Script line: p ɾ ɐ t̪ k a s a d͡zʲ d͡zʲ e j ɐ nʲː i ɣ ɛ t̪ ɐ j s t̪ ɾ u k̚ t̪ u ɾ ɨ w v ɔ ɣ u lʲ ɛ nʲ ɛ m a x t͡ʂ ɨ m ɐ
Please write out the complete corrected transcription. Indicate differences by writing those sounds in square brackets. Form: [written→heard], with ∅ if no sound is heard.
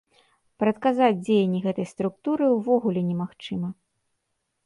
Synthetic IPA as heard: p ɾ ɐ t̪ k a [s→z] a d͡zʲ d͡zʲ e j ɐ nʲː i ɣ ɛ t̪ ɐ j s t̪ ɾ u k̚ t̪ u ɾ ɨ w v ɔ ɣ u lʲ ɛ nʲ ɛ m a x t͡ʂ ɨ m ɐ